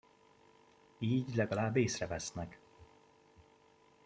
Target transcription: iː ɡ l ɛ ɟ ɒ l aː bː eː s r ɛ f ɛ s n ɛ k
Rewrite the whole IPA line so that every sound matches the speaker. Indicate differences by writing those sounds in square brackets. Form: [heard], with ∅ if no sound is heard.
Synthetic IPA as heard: iː [ɟ] l ɛ [ɡ] ɒ l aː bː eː s r ɛ [v] ɛ s n ɛ k